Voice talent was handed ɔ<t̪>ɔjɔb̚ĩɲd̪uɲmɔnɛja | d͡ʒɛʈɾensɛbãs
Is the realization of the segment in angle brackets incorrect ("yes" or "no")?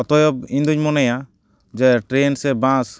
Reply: no